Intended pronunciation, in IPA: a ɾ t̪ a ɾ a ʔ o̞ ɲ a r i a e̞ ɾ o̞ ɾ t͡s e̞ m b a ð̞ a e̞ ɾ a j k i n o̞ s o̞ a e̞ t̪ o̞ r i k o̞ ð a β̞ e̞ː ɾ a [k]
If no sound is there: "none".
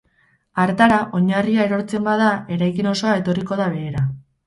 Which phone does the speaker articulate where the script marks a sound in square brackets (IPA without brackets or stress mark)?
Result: none